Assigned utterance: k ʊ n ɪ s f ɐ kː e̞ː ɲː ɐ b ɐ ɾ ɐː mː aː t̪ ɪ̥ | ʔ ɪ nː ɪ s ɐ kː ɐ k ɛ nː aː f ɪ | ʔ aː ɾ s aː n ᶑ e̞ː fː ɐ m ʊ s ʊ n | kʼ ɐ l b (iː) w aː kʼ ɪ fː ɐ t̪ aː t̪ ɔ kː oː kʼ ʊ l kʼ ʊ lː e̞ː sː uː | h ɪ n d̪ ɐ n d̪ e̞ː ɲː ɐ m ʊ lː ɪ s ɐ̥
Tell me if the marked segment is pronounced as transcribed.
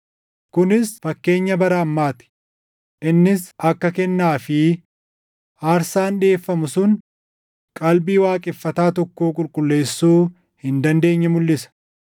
yes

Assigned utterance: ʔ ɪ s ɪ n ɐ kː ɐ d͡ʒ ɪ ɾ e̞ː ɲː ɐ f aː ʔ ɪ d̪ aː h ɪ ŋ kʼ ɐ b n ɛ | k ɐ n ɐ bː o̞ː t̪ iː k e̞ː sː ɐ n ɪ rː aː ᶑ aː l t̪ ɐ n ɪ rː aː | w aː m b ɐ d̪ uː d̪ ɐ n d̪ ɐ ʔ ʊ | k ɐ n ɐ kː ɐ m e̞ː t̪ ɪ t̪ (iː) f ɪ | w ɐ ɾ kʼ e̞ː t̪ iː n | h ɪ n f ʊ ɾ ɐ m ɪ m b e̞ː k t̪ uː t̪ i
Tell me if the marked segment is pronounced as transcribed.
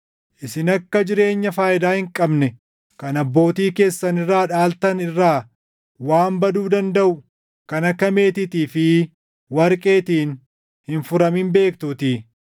yes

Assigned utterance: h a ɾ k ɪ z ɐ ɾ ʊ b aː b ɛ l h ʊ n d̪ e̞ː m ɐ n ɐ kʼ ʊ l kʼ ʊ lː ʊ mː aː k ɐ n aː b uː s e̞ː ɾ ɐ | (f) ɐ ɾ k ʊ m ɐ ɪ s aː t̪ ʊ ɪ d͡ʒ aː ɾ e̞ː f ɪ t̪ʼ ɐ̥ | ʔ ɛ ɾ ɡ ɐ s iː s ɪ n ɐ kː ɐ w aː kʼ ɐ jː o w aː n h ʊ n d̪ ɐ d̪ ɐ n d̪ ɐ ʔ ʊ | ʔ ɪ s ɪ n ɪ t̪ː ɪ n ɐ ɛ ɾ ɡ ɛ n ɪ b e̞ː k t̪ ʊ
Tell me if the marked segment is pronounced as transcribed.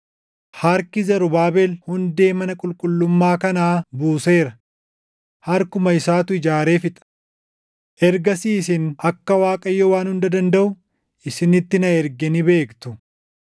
no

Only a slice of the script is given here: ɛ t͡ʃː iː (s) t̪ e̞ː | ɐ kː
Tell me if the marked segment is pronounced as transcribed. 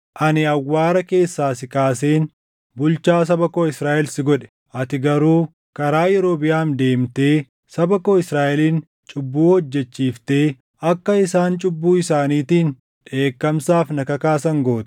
no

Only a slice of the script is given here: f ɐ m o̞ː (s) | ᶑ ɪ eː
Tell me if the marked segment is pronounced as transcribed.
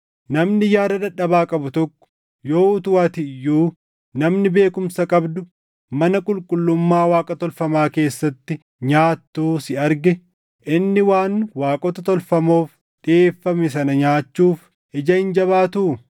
no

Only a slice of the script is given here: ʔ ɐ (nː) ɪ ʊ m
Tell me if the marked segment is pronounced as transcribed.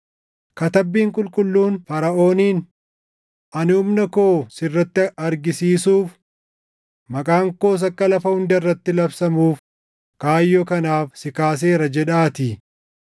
no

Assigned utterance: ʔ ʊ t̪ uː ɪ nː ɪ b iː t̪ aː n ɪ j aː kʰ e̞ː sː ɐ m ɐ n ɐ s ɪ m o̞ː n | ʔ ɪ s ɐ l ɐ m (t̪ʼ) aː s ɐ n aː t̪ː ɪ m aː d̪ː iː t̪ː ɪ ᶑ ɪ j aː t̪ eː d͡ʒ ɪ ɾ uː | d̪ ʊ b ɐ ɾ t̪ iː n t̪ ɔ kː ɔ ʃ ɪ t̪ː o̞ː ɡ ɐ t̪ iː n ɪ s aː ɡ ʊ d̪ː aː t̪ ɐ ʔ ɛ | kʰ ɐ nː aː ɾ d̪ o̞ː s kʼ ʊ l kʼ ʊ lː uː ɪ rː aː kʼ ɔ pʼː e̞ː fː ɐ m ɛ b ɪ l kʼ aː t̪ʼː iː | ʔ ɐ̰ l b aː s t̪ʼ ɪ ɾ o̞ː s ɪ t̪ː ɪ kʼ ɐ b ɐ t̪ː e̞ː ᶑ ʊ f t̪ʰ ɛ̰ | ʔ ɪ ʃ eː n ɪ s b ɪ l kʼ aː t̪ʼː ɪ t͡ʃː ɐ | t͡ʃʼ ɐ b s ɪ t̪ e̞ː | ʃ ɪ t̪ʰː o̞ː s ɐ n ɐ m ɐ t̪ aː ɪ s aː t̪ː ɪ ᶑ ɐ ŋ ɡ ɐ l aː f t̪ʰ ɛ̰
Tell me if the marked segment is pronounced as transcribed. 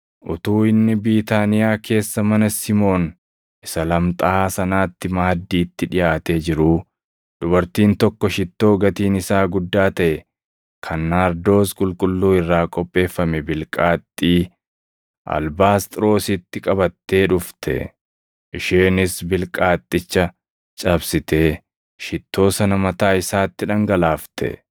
yes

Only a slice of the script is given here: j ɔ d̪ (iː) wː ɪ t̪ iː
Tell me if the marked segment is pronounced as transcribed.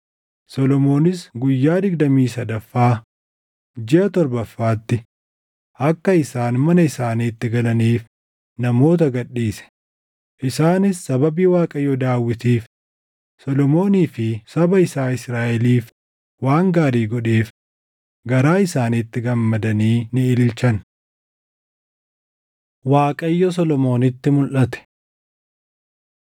no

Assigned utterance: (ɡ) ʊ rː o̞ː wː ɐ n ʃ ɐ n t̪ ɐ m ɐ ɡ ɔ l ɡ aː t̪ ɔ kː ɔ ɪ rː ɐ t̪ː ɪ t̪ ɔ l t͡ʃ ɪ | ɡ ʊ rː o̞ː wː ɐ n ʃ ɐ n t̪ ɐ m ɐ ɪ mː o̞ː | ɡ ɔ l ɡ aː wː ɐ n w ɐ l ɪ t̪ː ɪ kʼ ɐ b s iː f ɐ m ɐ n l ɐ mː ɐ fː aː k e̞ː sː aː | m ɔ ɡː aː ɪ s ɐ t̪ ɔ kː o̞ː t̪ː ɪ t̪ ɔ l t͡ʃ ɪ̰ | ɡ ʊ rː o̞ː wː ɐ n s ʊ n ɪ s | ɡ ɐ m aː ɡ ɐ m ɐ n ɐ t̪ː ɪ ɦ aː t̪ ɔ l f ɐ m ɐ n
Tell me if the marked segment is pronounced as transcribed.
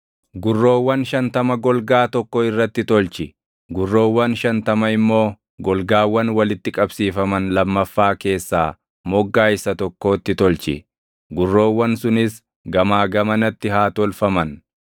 yes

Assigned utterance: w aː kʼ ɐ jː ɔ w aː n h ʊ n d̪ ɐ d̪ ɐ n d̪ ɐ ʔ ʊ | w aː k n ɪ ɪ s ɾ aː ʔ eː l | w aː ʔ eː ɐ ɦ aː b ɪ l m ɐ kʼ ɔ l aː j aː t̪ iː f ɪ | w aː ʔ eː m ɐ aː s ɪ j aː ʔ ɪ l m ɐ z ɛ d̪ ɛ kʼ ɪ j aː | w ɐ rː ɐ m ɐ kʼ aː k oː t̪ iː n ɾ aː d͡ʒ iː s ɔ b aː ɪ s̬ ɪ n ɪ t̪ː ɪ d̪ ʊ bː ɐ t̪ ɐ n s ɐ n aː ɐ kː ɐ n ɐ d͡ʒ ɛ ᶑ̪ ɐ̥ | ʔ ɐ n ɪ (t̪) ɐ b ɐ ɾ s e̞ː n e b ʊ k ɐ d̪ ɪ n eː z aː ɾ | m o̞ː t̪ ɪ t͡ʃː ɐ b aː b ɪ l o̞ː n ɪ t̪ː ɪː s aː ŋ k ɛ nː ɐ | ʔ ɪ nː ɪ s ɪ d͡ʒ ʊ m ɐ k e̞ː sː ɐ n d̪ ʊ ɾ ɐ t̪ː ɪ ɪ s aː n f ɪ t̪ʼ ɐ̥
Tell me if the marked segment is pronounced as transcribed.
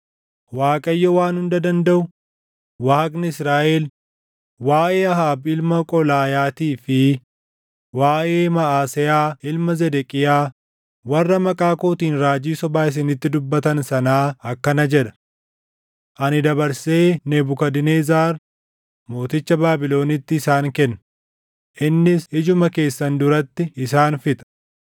no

